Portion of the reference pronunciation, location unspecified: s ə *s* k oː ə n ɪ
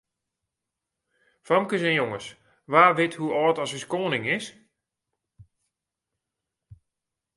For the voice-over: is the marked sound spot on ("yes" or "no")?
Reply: yes